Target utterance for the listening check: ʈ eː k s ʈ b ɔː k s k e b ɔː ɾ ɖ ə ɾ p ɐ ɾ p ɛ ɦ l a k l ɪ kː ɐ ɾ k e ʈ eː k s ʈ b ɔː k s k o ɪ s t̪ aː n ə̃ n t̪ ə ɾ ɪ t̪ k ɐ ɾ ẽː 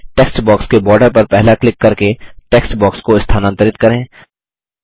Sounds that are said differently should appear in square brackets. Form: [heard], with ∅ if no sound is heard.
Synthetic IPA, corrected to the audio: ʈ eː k s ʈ b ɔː k s k e b ɔː ɾ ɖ ə ɾ p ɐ ɾ p ɛ ɦ l a k l ɪ kː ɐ ɾ k e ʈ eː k s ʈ b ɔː k s k o ɪ s [t̪ʰ] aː n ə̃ n t̪ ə ɾ ɪ t̪ k ɐ ɾ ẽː